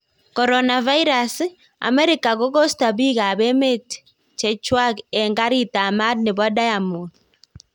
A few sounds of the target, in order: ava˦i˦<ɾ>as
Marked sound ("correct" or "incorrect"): correct